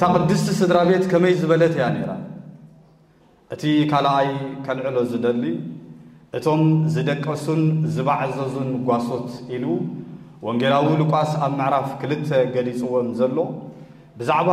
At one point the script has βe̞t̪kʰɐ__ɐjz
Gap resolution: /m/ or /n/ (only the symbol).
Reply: m